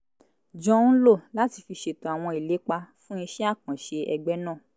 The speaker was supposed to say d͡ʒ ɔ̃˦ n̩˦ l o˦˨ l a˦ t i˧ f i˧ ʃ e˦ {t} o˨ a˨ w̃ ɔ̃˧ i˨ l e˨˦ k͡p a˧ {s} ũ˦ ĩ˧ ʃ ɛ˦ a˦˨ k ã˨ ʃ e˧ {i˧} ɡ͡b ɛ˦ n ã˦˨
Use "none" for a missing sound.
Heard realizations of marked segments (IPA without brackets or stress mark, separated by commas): t, f, ɛ˧